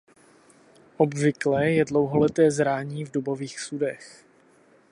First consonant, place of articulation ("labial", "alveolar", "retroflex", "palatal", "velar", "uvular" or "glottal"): glottal